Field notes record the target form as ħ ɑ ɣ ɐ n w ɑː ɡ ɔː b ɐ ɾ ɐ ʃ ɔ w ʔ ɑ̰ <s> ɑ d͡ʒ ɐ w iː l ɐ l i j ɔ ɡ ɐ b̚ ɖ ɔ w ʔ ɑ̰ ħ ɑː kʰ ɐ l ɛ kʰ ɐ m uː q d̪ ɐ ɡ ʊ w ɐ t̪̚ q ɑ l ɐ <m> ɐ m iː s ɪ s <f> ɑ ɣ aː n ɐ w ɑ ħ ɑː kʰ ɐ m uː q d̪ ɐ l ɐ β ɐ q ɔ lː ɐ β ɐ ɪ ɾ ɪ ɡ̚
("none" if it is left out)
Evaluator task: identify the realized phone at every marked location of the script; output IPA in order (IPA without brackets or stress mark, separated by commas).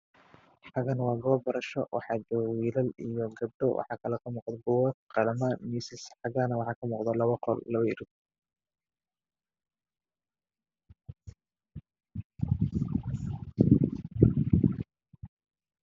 ħ, m, ħ